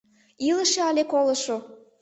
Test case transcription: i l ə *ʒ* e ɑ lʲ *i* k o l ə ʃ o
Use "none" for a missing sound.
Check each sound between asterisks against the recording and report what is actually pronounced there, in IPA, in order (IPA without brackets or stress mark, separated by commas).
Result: ʃ, e